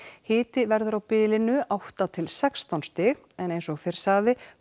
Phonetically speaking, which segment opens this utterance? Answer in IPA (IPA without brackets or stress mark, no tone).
h